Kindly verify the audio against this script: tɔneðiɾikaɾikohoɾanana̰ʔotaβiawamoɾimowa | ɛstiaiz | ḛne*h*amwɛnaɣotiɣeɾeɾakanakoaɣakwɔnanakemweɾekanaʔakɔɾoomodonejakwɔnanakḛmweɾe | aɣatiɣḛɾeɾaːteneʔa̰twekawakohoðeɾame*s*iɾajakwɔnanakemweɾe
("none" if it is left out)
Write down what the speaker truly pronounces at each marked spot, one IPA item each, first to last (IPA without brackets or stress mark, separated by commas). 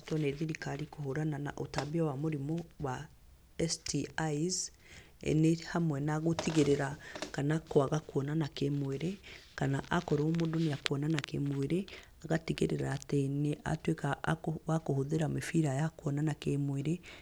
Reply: h, f